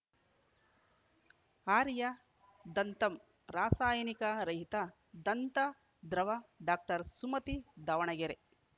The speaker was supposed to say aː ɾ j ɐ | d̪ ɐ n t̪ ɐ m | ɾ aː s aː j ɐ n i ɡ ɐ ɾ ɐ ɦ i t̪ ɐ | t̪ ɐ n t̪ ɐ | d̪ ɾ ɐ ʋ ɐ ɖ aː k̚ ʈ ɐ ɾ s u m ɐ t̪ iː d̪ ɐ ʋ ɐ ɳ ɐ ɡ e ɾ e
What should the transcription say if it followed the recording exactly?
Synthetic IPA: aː ɾ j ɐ | d̪ ɐ n t̪ ɐ m | ɾ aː s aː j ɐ n i k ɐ ɾ ɐ ɦ i t̪ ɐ | d̪ ɐ n t̪ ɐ | d̪ ɾ ɐ ʋ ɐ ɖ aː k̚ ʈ ɐ ɾ s u m ɐ t̪ i d̪ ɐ ʋ ɐ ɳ ɐ ɡ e ɾ e

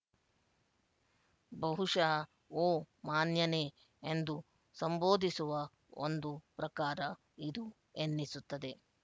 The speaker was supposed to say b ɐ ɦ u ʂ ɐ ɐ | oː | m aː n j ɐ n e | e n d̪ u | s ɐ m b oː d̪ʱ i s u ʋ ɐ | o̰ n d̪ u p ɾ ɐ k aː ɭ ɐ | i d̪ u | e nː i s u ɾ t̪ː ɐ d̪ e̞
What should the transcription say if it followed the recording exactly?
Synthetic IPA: b ɐ ɦ u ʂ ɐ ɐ | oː | m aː n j ɐ n e | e n d̪ u | s ɐ m b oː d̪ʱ i s u ʋ ɐ | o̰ n d̪ u p ɾ ɐ k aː ɾ ɐ | i d̪ u | e nː i s u t̪ː ɐ d̪ e̞

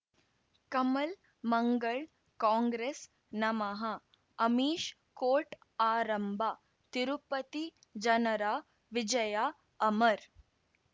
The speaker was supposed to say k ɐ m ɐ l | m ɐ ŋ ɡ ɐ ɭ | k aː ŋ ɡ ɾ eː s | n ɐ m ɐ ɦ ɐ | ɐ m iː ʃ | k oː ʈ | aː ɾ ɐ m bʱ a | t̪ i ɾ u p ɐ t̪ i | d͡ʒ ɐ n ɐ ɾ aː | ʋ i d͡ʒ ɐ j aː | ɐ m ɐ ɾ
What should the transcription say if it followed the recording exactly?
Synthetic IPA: k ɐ m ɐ l | m ɐ ŋ ɡ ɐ ɭ | k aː ŋ ɡ ɾ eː s | n ɐ m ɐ ɦ ɐ | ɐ m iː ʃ | k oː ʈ | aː ɾ ɐ m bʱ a | t̪ i ɾ u p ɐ t̪ i | d͡ʒ ɐ n ɐ ɾ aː | ʋ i d͡ʒ ɐ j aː | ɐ m ɐ ɾ

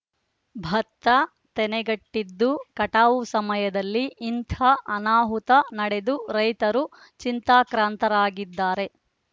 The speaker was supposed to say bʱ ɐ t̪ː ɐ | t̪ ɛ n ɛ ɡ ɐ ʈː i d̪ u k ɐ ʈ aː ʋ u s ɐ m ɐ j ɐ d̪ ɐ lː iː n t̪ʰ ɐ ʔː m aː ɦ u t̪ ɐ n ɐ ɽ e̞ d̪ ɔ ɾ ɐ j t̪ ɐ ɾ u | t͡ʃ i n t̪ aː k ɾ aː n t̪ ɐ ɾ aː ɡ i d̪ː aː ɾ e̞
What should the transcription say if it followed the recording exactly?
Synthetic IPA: bʱ ɐ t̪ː ɐ | t̪ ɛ n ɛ ɡ ɐ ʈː i d̪ː u k ɐ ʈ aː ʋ u s ɐ m ɐ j ɐ d̪ ɐ lː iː n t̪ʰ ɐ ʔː n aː ɦ u t̪ ɐ n ɐ ɽ e̞ d̪ u ɾ ɐ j t̪ ɐ ɾ u | t͡ʃ i n t̪ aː k ɾ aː n t̪ ɐ ɾ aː ɡ i d̪ː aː ɾ e̞

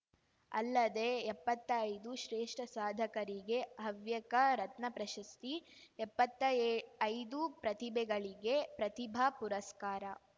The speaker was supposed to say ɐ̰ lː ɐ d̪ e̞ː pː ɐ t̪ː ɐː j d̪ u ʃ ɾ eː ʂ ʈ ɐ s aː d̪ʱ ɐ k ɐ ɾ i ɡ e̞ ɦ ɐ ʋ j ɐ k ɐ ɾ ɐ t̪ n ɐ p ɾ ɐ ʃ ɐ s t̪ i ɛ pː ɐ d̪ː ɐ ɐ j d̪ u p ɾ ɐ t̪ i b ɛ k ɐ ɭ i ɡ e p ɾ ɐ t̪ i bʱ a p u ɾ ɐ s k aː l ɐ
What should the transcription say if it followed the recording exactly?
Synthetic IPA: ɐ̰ lː ɐ d̪ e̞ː pː ɐ t̪ː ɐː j d̪ u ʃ ɾ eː ʂ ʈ ɐ s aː d̪ʱ ɐ k ɐ ɾ i ɡ e̞ ɦ ɐ ʋ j ɐ k ɐ ɾ ɐ t̪ n ɐ p ɾ ɐ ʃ ɐ s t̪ i ɛ pː ɐ t̪ː ɐ ɐ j d̪ u p ɾ ɐ t̪ i b ɛ ɡ ɐ ɭ i ɡ e p ɾ ɐ t̪ i bʱ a p u ɾ ɐ s k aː ɾ ɐ

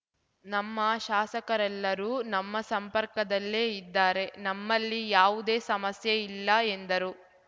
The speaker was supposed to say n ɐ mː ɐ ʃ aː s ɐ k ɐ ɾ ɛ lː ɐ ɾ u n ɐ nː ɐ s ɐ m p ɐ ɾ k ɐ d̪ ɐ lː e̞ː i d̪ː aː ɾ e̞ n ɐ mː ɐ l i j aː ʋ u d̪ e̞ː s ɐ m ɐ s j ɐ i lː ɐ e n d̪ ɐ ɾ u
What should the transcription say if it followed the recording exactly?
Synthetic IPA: n ɐ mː ɐ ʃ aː s ɐ k ɐ ɾ ɛ lː ɐ ɾ uː n ɐ mː ɐ s ɐ m p ɐ ɾ k ɐ d̪ ɐ lː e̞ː i d̪ː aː ɾ e̞ n ɐ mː ɐ lː i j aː ʋ u d̪ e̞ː s ɐ m ɐ s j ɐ i lː ɐ e n d̪ ɐ ɾ u

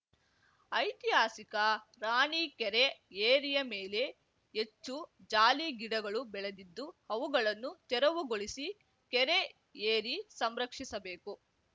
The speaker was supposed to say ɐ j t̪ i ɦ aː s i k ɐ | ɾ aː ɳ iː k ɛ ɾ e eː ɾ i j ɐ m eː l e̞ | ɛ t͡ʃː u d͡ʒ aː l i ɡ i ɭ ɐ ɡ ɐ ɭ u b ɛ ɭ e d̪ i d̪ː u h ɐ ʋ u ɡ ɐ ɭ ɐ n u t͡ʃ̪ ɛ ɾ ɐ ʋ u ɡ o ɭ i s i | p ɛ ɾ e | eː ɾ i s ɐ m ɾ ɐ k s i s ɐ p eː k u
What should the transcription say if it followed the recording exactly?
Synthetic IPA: ɐ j t̪ i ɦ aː s i k ɐ | ɾ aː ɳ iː k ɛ ɾ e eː ɾ i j ɐ m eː l e̞ | e t͡ʃː u d͡ʒ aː l i ɡ i ɽ ɐ ɡ ɐ ɭ u b ɛ ɭ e d̪ i d̪ː u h ɐ ʋ u ɡ ɐ ɭ ɐ nː u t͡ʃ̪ ɛ ɾ ɐ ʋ u ɡ o ɭ i s i | k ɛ ɾ e | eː ɾ i s ɐ m ɾ ɐ k ʂ i s ɐ b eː k u

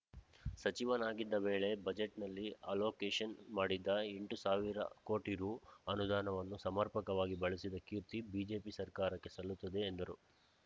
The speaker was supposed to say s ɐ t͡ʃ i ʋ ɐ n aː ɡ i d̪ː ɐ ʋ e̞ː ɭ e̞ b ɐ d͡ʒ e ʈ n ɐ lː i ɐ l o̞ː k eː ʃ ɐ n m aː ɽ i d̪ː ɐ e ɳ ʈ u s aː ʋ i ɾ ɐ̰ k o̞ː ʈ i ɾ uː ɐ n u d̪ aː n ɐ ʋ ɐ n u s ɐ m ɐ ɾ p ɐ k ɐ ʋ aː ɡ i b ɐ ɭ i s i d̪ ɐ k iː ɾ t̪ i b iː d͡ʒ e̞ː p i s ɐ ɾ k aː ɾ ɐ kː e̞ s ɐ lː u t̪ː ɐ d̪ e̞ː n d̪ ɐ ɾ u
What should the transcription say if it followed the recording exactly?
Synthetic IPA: s ɐ t͡ʃ i ʋ ɐ n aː ɡ i d̪ː ɐ ʋ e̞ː ɭ e̞ b ɐ d͡ʒ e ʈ n ɐ lː i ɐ l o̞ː k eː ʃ ɐ n m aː ɽ i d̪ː ɐ e ɳ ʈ u s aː ʋ i ɾ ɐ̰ k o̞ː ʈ i ɾ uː ɐ n u d̪ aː n ɐ ʋ ɐ nː u s ɐ m ɐ ɾ p ɐ k ɐ ʋ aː ɡ i b ɐ ɭ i s i d̪ ɐ k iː ɾ t̪ i b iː d͡ʒ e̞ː p i s ɐ ɾ k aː ɾ ɐ kː e̞ s ɐ lː u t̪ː ɐ d̪ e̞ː n d̪ ɐ ɾ u

